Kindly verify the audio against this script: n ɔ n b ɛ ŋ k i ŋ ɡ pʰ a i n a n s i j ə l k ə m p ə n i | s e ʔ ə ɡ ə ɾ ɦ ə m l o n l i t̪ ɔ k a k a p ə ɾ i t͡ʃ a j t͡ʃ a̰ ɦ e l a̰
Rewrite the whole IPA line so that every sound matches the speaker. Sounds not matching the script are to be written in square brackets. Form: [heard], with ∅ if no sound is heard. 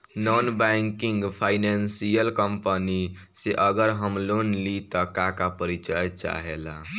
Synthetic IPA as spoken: n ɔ n b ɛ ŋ k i ŋ ɡ pʰ a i n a n s i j ə l k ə m p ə n i | s e ʔ ə ɡ ə ɾ ɦ ə m l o n l i t̪ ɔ k a k a p ə ɾ i t͡ʃ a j t͡ʃ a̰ ɦ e l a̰